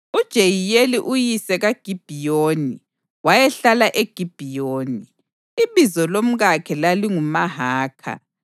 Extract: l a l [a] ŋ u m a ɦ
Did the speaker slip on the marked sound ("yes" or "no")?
yes